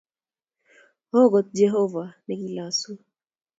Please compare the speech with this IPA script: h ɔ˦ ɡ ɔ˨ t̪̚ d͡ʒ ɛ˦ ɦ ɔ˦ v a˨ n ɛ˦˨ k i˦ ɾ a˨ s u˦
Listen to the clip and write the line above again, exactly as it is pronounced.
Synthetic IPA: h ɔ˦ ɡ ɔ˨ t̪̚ d͡ʒ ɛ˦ ɦ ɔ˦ v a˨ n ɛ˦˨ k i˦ l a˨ s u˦